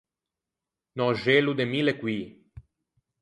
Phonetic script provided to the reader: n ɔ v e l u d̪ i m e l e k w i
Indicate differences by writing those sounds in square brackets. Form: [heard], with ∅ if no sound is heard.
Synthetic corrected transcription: n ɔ [ʒ] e l u d̪ [e] m [i] l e k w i